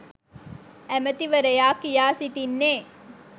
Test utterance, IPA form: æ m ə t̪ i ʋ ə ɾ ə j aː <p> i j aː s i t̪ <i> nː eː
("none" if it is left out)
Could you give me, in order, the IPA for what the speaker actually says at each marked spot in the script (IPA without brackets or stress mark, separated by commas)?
k, i